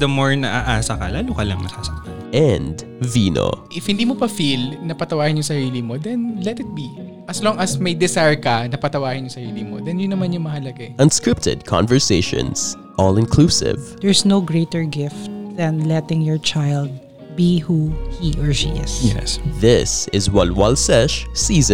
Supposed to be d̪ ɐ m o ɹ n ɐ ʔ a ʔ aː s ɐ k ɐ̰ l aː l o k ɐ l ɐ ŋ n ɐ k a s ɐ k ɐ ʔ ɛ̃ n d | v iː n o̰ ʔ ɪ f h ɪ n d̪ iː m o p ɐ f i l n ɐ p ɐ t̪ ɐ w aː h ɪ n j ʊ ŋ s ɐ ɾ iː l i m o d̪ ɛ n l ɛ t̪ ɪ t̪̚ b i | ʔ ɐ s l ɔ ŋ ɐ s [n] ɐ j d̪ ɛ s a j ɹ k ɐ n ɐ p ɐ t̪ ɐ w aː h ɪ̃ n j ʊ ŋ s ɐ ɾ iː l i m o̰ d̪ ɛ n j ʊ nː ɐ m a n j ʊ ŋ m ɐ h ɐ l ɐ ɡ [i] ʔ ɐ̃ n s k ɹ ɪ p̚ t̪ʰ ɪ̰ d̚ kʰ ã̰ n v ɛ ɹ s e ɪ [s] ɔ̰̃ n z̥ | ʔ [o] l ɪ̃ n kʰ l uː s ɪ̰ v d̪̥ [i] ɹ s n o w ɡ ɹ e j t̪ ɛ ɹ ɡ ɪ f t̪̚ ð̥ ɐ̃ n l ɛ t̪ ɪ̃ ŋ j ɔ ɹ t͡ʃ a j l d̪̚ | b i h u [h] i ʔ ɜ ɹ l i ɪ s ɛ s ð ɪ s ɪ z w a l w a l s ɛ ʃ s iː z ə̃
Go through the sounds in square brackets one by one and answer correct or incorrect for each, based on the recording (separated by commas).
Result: incorrect, incorrect, incorrect, incorrect, incorrect, correct